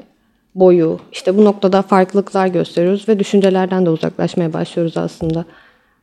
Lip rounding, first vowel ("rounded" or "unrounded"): rounded